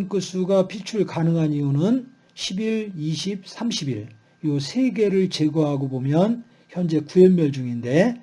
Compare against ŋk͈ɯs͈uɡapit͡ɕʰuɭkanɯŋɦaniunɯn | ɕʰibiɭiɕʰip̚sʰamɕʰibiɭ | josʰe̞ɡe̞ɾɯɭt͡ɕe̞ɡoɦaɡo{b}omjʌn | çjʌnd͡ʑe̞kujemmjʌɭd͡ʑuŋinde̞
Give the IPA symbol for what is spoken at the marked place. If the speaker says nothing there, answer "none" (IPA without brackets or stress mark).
b